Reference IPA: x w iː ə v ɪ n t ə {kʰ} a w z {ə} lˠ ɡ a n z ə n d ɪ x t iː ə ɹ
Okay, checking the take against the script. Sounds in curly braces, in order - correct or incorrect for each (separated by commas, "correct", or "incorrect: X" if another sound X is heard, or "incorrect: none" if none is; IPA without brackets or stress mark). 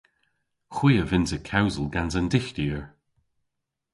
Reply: correct, correct